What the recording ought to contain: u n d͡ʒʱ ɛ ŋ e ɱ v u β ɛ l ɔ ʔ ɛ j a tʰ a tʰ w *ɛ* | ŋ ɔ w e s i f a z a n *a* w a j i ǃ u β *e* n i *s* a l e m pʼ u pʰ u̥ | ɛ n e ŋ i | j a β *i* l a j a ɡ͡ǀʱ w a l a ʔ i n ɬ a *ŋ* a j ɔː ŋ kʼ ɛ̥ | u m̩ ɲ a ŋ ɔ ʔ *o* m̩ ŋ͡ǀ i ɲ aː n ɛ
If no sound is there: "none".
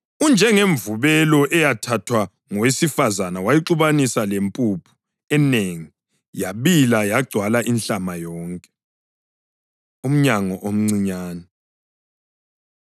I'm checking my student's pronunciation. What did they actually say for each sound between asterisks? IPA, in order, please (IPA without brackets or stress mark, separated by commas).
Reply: a, a, a, s, i, m, o